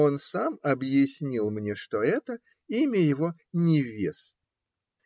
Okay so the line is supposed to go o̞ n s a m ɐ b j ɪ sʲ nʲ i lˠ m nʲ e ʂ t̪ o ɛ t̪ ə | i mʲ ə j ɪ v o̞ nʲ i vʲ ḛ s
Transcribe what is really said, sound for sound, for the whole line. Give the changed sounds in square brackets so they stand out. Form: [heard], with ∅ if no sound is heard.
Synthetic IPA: o̞ n s a m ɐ b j ɪ sʲ nʲ i lˠ m nʲ e ʂ t̪ o ɛ t̪ ə | i mʲ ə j ɪ v o̞ nʲ [ɪ] vʲ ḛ s